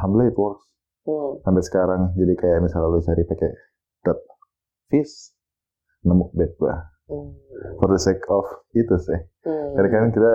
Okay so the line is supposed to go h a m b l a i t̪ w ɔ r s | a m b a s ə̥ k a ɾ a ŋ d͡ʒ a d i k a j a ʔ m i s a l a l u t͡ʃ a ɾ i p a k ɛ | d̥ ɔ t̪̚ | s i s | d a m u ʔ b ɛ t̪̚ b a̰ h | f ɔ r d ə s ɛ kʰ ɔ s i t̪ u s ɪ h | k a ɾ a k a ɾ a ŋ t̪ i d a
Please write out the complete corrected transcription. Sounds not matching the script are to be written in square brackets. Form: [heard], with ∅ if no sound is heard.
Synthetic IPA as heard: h a m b l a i t̪ w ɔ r s | a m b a s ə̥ k a ɾ a ŋ d͡ʒ a d i k a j a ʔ m i s a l a l u t͡ʃ a ɾ i p a k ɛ | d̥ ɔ t̪̚ | [f] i s | [n] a m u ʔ b ɛ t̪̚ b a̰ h | f ɔ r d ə s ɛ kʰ ɔ [f] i t̪ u s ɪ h | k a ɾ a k a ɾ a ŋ t̪ i d a